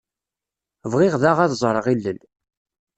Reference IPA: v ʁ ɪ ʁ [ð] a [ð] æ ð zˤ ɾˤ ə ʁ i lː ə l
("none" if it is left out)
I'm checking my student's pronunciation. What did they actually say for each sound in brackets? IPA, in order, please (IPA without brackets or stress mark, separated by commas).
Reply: ð, ʁ